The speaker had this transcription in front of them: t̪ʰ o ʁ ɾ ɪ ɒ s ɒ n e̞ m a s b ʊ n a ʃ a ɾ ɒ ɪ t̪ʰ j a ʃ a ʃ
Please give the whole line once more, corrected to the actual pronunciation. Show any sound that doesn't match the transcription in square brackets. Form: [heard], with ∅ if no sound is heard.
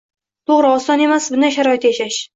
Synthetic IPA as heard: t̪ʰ o ʁ ɾ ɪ ɒ s ɒ n e̞ m a s b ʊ n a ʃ a ɾ ɒ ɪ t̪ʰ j a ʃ a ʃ